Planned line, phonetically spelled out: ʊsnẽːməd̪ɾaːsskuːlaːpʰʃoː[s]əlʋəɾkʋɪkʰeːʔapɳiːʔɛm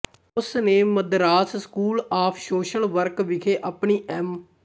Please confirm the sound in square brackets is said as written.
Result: no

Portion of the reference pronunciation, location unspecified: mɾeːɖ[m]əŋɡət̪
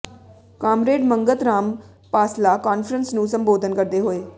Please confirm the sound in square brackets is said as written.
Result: yes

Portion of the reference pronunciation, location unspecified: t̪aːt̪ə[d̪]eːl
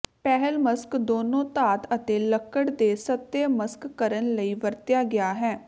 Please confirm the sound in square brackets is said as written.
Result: no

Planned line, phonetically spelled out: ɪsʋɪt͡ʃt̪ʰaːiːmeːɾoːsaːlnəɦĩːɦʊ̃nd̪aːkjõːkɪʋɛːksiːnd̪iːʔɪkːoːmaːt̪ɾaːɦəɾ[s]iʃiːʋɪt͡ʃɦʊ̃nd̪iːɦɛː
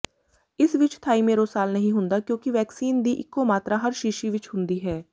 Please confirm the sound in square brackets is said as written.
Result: no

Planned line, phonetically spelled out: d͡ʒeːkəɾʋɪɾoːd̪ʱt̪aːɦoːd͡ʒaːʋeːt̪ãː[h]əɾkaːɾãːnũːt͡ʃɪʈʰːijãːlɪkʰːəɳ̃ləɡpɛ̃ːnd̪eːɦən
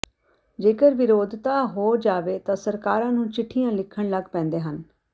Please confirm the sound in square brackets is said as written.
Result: no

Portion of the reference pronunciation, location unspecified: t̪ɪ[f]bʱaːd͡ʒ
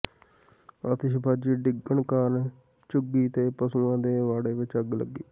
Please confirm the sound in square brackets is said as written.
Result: no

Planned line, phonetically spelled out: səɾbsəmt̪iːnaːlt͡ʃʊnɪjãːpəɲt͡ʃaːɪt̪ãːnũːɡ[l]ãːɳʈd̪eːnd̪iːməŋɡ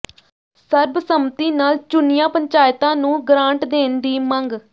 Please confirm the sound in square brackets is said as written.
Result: no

